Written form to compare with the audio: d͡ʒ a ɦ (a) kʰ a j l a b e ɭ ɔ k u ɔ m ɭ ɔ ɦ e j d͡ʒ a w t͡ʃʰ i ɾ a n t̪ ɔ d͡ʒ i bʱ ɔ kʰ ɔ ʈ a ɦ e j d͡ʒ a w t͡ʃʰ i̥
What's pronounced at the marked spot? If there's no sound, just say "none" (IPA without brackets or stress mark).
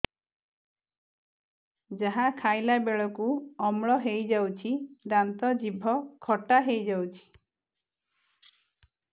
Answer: a